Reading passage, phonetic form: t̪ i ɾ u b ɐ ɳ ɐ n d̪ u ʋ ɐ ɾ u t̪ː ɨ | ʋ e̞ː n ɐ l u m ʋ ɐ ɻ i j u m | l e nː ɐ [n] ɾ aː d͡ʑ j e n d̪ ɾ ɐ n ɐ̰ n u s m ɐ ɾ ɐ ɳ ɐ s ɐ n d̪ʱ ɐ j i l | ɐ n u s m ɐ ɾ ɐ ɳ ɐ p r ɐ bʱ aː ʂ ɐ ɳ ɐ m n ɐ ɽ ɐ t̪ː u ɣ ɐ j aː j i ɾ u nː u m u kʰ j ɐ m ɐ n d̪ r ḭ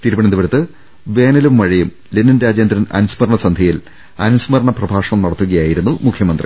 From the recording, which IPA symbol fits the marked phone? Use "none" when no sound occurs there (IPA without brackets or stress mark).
n